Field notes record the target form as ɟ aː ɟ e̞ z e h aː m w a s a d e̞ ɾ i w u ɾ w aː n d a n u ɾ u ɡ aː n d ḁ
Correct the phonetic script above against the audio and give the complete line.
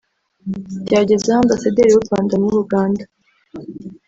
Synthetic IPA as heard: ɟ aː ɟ e̞ z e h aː m b a s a d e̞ ɾ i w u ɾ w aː n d a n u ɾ u ɡ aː n d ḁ